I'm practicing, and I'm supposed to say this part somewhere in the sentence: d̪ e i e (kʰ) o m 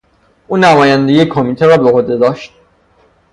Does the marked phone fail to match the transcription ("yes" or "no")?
no